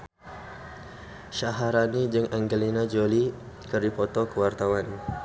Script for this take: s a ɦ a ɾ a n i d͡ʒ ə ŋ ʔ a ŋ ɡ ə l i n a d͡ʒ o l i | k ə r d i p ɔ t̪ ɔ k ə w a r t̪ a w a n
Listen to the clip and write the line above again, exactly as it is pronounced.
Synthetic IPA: ʃ a ɦ a ɾ a n i d͡ʒ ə ŋ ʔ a ŋ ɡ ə l i n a d͡ʒ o l i | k ə r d i p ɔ t̪ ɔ k ə w a r t̪ a w a n